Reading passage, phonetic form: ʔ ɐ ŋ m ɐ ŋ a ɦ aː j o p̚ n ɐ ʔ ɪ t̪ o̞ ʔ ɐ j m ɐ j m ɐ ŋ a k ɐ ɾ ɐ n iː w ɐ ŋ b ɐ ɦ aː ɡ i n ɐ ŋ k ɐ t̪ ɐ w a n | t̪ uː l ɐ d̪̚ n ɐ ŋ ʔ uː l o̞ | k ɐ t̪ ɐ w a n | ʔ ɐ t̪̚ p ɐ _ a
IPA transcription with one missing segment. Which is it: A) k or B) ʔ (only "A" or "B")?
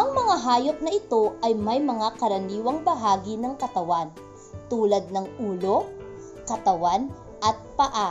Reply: B